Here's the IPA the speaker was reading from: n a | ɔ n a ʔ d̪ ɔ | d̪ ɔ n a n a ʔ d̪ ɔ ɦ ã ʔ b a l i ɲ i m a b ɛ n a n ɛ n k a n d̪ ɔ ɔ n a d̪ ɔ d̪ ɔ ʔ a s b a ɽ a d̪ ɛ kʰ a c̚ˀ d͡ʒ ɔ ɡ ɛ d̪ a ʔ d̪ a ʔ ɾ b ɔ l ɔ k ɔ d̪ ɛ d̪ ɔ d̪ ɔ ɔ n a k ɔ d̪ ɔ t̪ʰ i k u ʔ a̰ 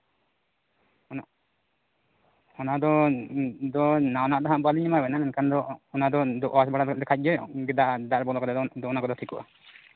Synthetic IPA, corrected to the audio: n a | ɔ n a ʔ d̪ ɔ | d̪ ɔ n a n a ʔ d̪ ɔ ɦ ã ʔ b a l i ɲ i m a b ɛ n a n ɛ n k a n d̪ ɔ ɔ n a d̪ ɔ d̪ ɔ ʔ a s b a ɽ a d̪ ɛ kʰ a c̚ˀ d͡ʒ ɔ ɡ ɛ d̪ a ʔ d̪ a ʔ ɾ b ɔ l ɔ k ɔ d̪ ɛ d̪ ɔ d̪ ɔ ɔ n a k ɔ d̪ ɔ t̪ʰ i k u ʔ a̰

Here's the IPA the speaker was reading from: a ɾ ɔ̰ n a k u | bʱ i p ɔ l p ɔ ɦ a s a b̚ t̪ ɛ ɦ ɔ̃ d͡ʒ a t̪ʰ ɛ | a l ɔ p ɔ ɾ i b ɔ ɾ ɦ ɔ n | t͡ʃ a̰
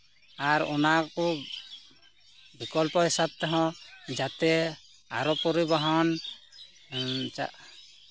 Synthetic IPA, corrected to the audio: a ɾ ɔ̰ n a k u | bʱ i k ɔ l p ɔ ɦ i s a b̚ t̪ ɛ ɦ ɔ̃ d͡ʒ a t̪ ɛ | a ɾ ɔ p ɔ ɾ i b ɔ ɦ ɔ n | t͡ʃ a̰

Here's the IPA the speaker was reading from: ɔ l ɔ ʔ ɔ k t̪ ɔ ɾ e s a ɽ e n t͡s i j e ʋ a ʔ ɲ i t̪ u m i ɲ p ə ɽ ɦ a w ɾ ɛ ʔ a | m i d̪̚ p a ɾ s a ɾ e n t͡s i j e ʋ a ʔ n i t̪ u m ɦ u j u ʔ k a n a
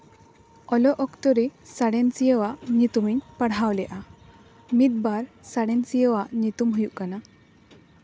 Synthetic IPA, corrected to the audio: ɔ l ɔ ʔ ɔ k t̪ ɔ ɾ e s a ɽ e n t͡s i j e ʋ a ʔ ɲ i t̪ u m i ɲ p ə ɽ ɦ a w l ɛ ʔ a | m i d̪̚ b a ɾ s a ɽ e n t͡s i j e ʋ a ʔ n i t̪ u m ɦ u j u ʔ k a n a

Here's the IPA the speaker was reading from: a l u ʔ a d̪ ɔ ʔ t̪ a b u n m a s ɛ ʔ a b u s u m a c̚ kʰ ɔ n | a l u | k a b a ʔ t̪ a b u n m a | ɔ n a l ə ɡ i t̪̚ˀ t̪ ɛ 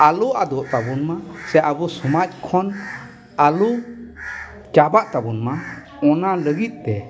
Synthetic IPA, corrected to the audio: a l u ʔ a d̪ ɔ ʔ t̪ a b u n m a s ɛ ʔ a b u s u m a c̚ kʰ ɔ n | a l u | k a b a ʔ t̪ a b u n m a | ɔ n a l ə ɡ i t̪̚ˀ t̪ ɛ

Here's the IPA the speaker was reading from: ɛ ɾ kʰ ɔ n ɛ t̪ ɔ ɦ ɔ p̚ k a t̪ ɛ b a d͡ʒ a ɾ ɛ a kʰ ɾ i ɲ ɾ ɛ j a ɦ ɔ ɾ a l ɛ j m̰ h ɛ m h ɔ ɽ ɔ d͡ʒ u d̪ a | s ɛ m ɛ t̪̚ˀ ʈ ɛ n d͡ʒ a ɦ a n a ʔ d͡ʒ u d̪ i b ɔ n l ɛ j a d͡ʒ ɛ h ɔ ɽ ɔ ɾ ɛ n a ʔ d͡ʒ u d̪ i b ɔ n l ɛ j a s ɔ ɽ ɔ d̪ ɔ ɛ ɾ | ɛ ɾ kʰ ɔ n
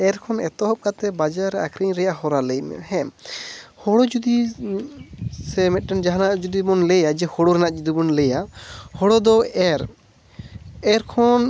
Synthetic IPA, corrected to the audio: ɛ ɾ kʰ ɔ n ɛ t̪ ɔ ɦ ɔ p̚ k a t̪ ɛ b a d͡ʒ a ɾ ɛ a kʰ ɾ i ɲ ɾ ɛ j a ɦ ɔ ɾ a l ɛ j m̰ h ɛ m h ɔ ɽ ɔ d͡ʒ u d̪ i | s ɛ m ɛ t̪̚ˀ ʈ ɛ n d͡ʒ a ɦ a n a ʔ d͡ʒ u d̪ i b ɔ n l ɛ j a d͡ʒ ɛ h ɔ ɽ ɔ ɾ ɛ n a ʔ d͡ʒ u d̪ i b ɔ n l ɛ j a h ɔ ɽ ɔ d̪ ɔ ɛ ɾ | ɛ ɾ kʰ ɔ n

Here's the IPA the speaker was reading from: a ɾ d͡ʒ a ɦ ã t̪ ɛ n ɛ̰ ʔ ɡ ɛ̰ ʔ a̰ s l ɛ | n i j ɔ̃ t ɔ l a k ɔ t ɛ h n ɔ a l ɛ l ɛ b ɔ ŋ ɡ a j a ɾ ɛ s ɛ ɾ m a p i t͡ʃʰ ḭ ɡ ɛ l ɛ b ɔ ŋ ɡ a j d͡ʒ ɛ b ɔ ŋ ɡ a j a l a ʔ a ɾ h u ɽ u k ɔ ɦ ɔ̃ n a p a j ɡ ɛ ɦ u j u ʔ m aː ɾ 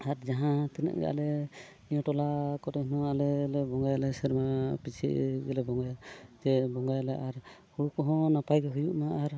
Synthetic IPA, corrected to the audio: a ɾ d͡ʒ a ɦ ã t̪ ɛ n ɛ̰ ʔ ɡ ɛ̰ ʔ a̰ l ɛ | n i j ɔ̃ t ɔ l a k ɔ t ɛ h n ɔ a l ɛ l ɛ b ɔ ŋ ɡ a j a l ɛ s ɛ ɾ m a p i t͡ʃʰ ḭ ɡ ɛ l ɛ b ɔ ŋ ɡ a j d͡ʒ ɛ b ɔ ŋ ɡ a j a l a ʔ a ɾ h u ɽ u k ɔ ɦ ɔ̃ n a p a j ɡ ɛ ɦ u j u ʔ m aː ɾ

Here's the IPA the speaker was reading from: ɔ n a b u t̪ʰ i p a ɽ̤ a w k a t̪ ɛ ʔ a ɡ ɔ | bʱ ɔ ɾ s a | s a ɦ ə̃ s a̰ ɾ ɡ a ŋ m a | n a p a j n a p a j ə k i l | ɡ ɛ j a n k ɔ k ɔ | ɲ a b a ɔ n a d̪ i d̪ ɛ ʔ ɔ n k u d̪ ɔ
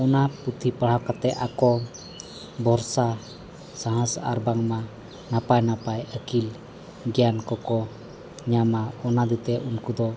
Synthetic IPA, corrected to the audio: ɔ n a p u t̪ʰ i p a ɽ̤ a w k a t̪ ɛ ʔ a k ɔ | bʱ ɔ ɾ s a | s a ɦ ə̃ s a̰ ɾ b a ŋ m a | n a p a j n a p a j ə k i l | ɡ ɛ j a n k ɔ k ɔ | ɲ a m a ɔ n a d̪ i t̪ ɛ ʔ u n k u d̪ ɔ

